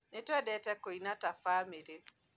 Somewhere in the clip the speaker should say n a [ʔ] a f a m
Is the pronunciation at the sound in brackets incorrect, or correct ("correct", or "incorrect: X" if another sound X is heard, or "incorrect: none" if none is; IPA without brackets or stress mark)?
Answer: incorrect: t